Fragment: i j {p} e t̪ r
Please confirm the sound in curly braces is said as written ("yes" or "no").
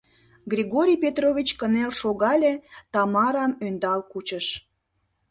yes